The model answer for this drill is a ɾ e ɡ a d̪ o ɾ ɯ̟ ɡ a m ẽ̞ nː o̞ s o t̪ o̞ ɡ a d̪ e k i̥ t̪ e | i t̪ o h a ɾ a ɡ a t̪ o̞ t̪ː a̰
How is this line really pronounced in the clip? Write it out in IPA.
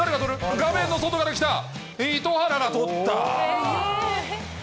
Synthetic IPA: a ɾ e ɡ a t̪ o ɾ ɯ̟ ɡ a m ẽ̞ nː o̞ s o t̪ o̞ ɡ a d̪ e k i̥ t̪ a | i t̪ o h a ɾ a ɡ a t̪ o̞ t̪ː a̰

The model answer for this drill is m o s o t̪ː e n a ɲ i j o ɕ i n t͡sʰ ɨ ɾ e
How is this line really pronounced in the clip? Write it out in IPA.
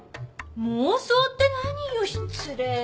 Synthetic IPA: m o s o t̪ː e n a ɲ i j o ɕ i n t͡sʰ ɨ ɾ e

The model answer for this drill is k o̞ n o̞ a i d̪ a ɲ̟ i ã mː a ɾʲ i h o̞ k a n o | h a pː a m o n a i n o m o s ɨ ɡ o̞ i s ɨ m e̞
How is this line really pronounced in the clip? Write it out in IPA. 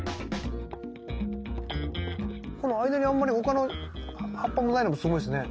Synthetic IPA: k o̞ n o̞ a i d̪ a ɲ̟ i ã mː a ɾʲ i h o̞ k a n o | h a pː a m o n a i n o m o s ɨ ɡ o̞ i s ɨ n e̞

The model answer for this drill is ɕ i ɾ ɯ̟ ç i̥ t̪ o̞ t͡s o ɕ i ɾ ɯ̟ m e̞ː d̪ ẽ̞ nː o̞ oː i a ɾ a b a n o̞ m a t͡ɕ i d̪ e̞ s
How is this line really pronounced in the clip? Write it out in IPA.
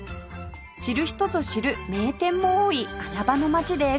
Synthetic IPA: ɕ i ɾ ɯ̟ ç i̥ t̪ o̞ t͡s o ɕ i ɾ ɯ̟ m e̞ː t̪ ẽ̞ mː o̞ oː i a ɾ a b a n o̞ m a t͡ɕ i d̪ e̞ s

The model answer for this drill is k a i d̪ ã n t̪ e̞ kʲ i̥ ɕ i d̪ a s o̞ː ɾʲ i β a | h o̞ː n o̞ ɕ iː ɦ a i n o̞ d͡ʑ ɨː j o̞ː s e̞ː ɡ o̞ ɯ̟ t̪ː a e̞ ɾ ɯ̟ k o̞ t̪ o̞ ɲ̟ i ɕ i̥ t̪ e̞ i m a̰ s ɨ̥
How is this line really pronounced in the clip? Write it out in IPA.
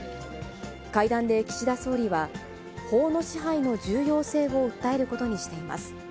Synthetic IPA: k a i d̪ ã n d̪ e̞ kʲ i̥ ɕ i d̪ a s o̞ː ɾʲ i β a | h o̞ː n o̞ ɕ i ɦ a i n o̞ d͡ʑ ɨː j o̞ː s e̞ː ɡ o̞ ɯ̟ t̪ː a e̞ ɾ ɯ̟ k o̞ t̪ o̞ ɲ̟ i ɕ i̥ t̪ e̞ i m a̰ s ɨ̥

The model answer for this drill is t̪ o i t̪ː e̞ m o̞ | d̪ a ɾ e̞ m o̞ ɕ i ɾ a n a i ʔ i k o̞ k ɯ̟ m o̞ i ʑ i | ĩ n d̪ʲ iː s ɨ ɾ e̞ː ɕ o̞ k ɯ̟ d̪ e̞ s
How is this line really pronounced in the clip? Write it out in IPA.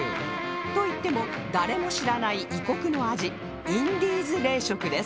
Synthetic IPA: t̪ o i t̪ː e̞ m o̞ | d̪ a ɾ e̞ m o̞ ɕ i ɾ a n a i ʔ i k o̞ k ɯ̟ n o̞ a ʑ i | ĩ n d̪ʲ iː z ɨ ɾ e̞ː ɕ o̞ k ɯ̟ d̪ e̞ s

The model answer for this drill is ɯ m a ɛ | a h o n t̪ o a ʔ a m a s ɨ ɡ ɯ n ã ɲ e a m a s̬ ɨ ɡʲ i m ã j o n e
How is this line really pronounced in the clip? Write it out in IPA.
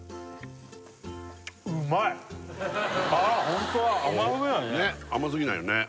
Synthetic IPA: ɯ m a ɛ | a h õ n t̪ o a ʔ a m a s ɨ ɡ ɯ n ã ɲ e a m a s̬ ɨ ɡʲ i n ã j o n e

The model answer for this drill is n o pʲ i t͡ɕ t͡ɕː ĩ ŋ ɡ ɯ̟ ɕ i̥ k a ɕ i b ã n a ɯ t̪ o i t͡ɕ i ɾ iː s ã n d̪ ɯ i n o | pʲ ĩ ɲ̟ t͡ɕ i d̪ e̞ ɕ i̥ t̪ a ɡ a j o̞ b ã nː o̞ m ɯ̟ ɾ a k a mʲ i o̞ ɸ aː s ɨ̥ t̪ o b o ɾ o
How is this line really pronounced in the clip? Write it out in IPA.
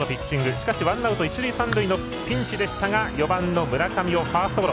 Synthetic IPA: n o pʲ i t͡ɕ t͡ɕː ĩ ŋ ɡ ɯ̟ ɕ i̥ k a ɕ i β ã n a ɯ t̪ o i t͡ɕ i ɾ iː s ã n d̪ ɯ i n o | pʲ ĩ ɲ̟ t͡ɕ i d̪ e̞ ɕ i̥ t̪ a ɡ a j o̞ b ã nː o̞ m ɯ̟ ɾ a k a mʲ i o̞ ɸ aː s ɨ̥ t̪ o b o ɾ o

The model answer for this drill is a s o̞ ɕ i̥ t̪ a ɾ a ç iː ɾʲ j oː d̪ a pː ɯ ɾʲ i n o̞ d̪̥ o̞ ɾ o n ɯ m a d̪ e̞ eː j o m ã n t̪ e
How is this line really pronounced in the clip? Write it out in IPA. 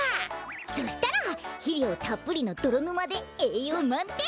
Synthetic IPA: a s o̞ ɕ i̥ t̪ a ɾ a ç i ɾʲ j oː t̪ a pː ɯ ɾʲ i n o̞ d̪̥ o̞ ɾ o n ɯ m a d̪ e̞ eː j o m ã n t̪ e

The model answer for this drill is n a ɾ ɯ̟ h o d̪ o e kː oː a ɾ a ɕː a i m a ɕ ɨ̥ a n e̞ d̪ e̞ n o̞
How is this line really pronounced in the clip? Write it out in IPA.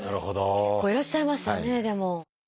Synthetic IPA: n a ɾ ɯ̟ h o d̪ o e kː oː i ɾ a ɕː a i m a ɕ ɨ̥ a n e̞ d̪ e̞ m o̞

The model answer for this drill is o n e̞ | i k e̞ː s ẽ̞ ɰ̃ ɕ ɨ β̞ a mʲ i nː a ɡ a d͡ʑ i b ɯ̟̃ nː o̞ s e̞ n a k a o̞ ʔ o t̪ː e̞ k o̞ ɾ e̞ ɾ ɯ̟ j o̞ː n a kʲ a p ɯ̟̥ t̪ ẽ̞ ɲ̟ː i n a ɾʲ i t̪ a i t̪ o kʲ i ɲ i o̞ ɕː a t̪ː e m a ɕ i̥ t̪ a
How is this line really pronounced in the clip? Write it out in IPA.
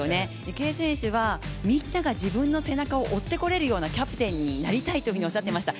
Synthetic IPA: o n e̞ | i k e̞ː s ẽ̞ ɰ̃ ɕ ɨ β̞ a mʲ i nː a ɡ a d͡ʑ i b ɯ̟̃ nː o̞ s e̞ n a k a o̞ ʔ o t̪ː e̞ k o̞ ɾ e̞ ɾ ɯ̟ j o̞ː n a kʲ a p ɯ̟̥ t̪ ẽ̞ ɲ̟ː i n a ɾʲ i t̪ a i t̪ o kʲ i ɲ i o̞ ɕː a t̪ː e m a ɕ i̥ t̪ a

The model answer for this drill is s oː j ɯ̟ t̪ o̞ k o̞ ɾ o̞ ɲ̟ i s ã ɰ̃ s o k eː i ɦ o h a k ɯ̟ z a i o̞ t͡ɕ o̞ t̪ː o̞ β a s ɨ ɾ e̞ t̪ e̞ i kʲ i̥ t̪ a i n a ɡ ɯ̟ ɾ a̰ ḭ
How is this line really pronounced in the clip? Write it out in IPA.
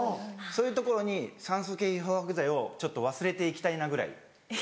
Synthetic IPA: s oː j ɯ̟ t̪ o̞ k o̞ ɾ o̞ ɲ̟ i s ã ɰ̃ s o k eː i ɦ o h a k ɯ̟ z a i o̞ t͡ɕ o̞ t̪ː o̞ β a s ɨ ɾ e̞ t̪ e̞ i kʲ i̥ t̪ a i n a ɡ ɯ̟ ɾ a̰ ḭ

